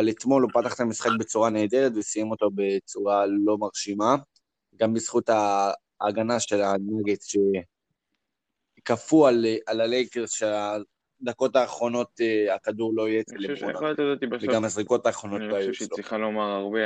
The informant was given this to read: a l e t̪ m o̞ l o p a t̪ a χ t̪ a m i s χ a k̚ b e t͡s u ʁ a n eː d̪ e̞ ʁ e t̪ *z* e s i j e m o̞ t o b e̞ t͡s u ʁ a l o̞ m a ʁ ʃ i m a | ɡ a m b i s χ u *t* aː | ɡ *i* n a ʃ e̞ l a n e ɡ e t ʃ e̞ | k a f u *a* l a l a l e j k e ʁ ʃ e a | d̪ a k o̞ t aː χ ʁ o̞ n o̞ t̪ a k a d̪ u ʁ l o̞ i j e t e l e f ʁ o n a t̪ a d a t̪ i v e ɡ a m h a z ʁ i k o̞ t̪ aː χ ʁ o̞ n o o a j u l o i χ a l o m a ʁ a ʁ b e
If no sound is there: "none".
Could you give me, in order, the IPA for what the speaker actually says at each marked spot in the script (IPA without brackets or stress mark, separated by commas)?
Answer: v, t, a, a